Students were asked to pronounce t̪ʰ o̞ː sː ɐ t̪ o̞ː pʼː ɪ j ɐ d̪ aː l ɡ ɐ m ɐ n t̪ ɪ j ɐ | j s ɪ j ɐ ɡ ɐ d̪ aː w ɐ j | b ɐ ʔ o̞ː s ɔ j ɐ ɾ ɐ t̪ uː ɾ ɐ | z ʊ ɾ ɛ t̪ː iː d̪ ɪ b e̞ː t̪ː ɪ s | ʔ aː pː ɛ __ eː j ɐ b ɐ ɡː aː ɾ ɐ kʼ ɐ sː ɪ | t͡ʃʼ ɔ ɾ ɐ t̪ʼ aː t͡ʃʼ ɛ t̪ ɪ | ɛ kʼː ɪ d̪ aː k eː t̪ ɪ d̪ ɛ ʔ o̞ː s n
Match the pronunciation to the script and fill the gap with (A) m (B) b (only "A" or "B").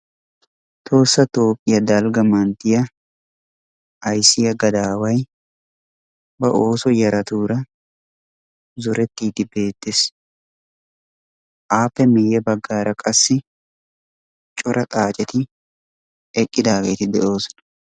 A